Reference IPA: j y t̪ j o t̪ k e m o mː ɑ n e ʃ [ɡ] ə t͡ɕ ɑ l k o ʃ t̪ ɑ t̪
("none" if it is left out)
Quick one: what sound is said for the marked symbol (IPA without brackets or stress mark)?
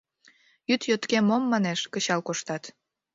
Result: k